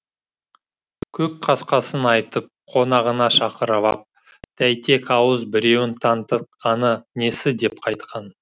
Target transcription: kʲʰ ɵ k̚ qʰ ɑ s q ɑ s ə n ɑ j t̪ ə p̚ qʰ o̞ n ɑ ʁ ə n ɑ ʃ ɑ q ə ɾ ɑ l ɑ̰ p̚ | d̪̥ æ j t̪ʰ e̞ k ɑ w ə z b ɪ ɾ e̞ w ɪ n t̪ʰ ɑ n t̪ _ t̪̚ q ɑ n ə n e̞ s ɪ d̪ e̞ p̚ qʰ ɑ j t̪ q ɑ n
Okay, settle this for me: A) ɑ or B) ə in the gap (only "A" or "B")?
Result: B